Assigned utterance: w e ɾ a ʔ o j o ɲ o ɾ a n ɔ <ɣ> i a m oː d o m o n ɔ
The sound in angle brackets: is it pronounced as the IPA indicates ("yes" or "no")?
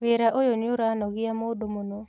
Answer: yes